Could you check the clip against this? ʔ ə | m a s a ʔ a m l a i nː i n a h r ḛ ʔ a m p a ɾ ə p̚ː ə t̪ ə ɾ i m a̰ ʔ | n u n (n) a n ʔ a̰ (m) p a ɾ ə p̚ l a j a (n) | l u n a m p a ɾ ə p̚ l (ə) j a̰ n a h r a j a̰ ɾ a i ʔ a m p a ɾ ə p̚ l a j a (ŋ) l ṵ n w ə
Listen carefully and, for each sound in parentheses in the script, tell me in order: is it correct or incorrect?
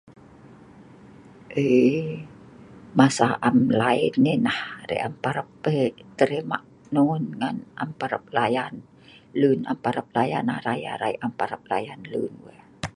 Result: incorrect, correct, correct, incorrect, incorrect

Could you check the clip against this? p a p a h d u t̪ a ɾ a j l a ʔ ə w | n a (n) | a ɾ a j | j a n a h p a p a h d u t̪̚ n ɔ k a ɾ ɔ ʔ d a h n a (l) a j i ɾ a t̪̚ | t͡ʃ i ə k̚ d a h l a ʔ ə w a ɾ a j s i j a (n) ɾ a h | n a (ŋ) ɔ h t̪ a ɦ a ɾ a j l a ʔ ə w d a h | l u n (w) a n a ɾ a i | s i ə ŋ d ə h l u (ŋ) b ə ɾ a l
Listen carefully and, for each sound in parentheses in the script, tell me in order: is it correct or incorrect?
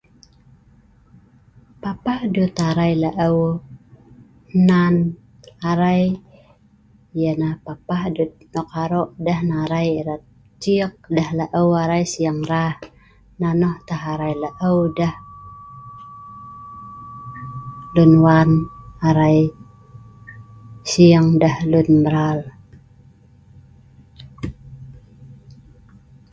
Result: correct, incorrect, incorrect, incorrect, correct, incorrect

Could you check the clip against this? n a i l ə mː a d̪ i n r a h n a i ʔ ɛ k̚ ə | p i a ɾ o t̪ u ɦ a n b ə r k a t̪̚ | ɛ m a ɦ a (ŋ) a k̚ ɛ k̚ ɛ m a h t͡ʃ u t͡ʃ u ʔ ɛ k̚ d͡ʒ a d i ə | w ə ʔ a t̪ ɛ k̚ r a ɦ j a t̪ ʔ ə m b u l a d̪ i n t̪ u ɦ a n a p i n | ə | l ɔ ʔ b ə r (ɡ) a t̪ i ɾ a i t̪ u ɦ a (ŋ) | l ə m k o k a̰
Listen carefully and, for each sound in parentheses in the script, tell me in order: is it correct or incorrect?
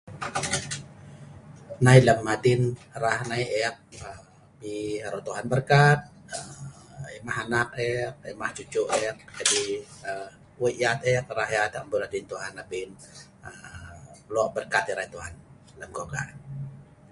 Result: incorrect, incorrect, incorrect

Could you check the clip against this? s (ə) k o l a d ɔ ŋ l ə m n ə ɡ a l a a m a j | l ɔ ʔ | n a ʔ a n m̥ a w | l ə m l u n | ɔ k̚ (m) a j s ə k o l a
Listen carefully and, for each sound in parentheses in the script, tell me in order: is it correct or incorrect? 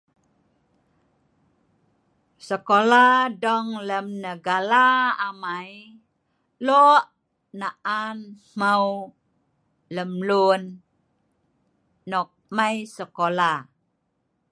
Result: correct, correct

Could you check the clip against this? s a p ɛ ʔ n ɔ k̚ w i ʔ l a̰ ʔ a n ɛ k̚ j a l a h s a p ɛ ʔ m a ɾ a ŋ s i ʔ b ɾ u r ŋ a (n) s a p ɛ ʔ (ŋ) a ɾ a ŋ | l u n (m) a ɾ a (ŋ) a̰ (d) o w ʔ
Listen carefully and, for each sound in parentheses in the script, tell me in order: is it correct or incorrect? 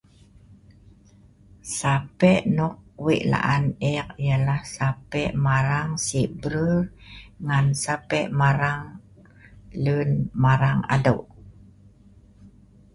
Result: correct, incorrect, correct, correct, correct

